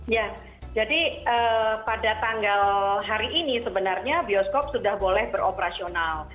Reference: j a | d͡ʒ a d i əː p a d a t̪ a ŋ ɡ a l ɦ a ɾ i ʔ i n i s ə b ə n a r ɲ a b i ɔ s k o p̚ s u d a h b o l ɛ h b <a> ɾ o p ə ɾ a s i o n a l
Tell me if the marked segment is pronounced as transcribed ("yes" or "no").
no